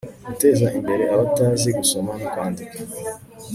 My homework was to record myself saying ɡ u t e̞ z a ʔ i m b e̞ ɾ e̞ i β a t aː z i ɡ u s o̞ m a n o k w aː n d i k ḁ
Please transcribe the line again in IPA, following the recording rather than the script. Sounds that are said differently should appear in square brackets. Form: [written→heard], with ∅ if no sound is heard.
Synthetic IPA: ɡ u t e̞ z a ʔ i m b e̞ ɾ e̞ [i→a] β a t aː z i ɡ u s o̞ m a n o k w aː n d i k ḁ

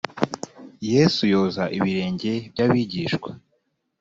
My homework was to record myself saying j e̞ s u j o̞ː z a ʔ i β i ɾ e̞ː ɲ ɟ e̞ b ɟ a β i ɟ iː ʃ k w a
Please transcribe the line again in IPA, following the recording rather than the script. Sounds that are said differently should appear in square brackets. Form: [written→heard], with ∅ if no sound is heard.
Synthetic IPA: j e̞ s u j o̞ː z a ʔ i β i ɾ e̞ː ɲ ɟ e̞ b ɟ a β i ɟ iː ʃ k w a

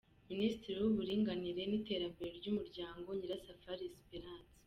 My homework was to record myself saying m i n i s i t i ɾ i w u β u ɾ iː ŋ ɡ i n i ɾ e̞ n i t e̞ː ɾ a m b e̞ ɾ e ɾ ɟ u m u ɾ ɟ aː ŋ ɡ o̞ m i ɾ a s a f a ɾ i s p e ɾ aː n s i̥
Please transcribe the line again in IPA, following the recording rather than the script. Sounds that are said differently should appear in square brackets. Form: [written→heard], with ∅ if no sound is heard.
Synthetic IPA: m i n i s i t i ɾ i w u β u ɾ iː ŋ ɡ [i→a] n i ɾ e̞ n i t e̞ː ɾ a m b e̞ ɾ e ɾ ɟ u m u ɾ ɟ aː ŋ ɡ o̞ [m→ɲ] i ɾ a s a f a ɾ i s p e ɾ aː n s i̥

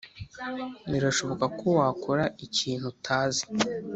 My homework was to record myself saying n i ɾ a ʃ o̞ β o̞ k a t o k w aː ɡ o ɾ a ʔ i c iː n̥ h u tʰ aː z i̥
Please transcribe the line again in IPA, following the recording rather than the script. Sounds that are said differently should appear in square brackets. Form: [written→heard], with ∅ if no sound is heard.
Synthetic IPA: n i ɾ a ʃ o̞ β o̞ k a [t→k] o [k→∅] w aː [ɡ→k] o ɾ a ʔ i c iː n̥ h u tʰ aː z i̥

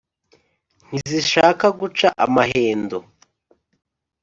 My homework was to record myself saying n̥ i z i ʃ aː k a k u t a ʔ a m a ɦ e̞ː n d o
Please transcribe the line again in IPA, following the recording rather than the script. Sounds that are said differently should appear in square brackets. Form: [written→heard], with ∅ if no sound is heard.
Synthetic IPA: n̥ i z i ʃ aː k a [k→ɡ] u [t→t͡ʃ] a ʔ a m a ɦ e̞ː n d o

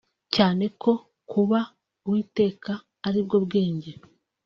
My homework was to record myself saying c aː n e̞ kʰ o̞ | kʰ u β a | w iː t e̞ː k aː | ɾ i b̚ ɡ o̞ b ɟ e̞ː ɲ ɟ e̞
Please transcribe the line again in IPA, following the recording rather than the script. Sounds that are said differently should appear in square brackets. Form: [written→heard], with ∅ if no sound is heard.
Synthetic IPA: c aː n e̞ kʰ o̞ | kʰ u β a | w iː t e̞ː k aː | ɾ i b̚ ɡ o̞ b [ɟ→ɡ] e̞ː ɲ ɟ e̞

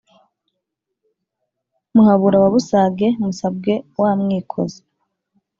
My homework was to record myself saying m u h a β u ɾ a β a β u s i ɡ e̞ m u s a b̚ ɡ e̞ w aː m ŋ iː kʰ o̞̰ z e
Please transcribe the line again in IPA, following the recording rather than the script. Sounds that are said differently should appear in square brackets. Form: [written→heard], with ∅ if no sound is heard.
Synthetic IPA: m u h a β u ɾ a β a β u s [i→a] ɡ e̞ m u s a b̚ ɡ e̞ w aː m ŋ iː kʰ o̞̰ z e

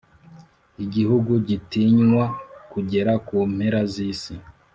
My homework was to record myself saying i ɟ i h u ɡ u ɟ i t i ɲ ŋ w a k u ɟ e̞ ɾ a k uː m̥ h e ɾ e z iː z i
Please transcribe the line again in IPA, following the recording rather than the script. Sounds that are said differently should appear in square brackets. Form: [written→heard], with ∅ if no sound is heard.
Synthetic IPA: i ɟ i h u ɡ u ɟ i t i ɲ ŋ w a k u ɟ e̞ ɾ a k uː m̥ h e ɾ [e→a] z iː [z→s] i

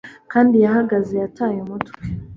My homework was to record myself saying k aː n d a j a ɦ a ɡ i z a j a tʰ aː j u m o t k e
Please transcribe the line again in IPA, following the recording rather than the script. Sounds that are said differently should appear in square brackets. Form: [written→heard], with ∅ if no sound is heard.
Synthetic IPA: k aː n d [a→i] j a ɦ a ɡ [i→a] z [a→e] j a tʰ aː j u m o t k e

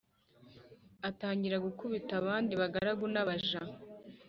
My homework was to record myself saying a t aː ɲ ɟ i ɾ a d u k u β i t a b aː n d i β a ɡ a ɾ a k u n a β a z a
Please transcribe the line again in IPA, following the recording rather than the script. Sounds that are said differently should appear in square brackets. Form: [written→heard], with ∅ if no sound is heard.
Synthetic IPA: a t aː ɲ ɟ i ɾ a [d→ɡ] u k u β i t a [b→β] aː n d i β a ɡ a ɾ a [k→ɡ] u n a β a [z→ʒ] a

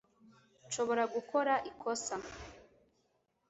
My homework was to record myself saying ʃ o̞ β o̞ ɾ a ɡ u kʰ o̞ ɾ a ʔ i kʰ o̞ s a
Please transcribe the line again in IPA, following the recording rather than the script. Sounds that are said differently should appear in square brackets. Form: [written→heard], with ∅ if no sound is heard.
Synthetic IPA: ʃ o̞ β o̞ ɾ a ɡ u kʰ o̞ ɾ a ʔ i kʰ o̞ s a

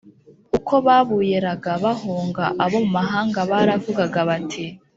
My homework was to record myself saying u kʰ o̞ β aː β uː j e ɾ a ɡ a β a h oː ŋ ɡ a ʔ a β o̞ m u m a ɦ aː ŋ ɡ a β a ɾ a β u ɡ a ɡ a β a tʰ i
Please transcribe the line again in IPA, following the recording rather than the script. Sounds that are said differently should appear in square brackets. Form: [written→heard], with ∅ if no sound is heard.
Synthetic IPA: u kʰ o̞ β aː β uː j e ɾ a ɡ a β a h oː ŋ ɡ a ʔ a β o̞ m u m a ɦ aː ŋ ɡ a β a ɾ a [β→v] u ɡ a ɡ a β a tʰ i

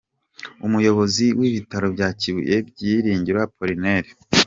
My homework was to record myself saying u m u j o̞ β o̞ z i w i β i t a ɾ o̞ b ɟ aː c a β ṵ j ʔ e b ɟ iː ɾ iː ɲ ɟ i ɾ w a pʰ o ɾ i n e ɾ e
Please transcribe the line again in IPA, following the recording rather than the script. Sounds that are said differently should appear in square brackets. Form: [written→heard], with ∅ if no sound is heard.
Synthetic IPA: u m u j o̞ β o̞ z i w i β i t a ɾ o̞ b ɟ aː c [a→i] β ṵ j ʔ e b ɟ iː ɾ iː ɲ ɟ i ɾ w a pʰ o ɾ i n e ɾ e

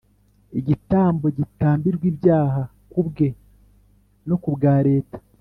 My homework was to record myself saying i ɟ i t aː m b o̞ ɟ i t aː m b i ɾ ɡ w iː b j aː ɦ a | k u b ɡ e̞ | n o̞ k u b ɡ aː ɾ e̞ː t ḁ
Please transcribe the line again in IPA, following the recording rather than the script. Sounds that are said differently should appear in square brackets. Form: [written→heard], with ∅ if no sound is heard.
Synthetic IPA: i ɟ i t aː m b o̞ ɟ i t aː m b i ɾ ɡ w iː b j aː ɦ a | k u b ɡ e̞ | n o̞ k u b ɡ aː ɾ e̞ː t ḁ

